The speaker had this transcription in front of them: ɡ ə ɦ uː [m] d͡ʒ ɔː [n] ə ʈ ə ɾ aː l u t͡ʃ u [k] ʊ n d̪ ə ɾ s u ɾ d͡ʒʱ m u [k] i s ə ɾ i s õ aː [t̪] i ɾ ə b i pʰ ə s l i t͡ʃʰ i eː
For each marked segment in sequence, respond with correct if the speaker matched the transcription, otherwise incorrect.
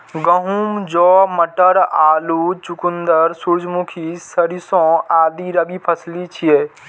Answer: correct, incorrect: m, correct, incorrect: kʰ, incorrect: d̪

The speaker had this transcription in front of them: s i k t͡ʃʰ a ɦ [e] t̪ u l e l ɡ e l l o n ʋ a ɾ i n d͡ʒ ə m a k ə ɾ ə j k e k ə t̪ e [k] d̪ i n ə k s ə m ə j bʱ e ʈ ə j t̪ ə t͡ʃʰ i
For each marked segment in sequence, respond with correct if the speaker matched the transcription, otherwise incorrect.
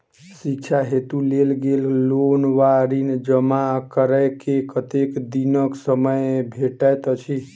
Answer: correct, correct

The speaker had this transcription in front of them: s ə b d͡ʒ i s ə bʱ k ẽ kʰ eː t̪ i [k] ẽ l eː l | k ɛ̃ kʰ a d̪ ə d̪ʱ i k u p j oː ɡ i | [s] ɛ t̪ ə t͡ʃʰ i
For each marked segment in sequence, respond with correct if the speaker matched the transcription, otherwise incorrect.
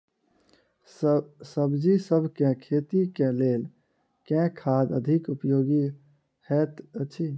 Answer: correct, incorrect: h

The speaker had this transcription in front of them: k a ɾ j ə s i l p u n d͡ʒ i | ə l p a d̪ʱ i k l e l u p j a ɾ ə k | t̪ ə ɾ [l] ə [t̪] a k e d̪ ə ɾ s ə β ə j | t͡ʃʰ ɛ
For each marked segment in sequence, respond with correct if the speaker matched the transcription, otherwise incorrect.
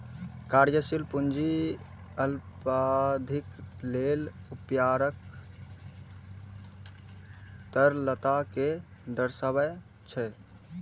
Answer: correct, correct

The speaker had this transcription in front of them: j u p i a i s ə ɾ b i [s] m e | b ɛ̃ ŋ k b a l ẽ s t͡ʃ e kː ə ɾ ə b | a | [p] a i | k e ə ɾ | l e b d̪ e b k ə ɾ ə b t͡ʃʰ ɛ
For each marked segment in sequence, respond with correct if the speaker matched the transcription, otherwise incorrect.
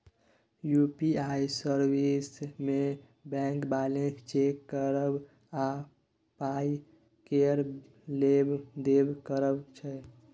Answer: correct, correct

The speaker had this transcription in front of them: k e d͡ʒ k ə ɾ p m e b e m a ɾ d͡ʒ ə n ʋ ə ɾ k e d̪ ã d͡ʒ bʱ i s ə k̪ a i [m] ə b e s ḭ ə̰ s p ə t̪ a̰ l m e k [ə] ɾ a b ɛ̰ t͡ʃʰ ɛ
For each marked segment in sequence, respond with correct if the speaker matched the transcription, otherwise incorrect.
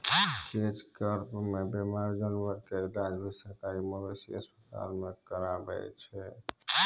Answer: correct, correct

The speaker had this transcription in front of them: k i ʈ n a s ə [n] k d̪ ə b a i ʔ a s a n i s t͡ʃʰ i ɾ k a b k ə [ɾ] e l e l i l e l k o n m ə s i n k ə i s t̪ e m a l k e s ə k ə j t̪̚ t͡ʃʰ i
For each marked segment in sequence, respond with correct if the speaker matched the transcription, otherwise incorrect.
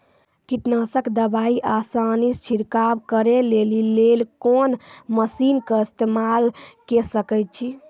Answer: incorrect: none, correct

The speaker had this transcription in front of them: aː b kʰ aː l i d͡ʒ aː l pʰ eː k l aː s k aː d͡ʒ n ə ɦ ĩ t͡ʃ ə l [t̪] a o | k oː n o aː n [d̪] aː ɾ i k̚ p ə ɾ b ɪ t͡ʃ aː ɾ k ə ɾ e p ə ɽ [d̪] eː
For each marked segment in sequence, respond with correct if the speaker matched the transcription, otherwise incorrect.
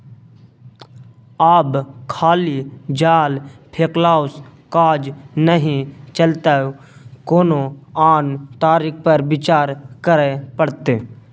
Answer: correct, incorrect: t̪, incorrect: t̪

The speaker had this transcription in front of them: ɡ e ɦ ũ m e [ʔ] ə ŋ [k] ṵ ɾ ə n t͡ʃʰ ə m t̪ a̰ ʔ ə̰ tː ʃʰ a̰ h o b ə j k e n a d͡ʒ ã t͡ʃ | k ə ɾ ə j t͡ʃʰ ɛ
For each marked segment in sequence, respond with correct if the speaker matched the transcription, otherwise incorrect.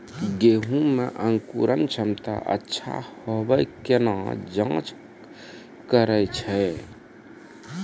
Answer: correct, correct

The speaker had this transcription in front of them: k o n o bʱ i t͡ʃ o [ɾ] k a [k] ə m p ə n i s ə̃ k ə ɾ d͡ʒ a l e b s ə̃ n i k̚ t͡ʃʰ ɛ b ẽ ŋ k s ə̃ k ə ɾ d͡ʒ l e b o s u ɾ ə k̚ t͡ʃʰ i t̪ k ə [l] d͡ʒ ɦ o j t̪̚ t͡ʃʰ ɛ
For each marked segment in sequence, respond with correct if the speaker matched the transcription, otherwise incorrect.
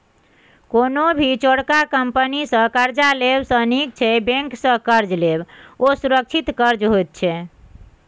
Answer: incorrect: ɽ, correct, incorrect: ɾ

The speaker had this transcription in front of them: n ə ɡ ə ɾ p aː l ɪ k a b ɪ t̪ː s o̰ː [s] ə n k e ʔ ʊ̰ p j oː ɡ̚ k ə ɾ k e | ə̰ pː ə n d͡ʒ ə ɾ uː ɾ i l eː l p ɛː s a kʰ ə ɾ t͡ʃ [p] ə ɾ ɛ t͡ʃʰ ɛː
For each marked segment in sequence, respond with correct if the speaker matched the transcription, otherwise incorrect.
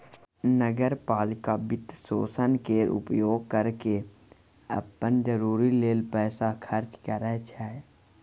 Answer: correct, incorrect: k

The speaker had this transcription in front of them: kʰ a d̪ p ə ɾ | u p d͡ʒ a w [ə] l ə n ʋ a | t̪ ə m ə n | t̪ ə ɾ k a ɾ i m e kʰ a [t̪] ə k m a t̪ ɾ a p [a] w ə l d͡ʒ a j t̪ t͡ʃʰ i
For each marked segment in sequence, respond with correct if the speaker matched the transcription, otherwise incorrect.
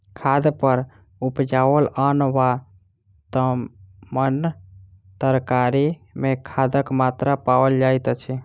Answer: correct, incorrect: d̪, correct

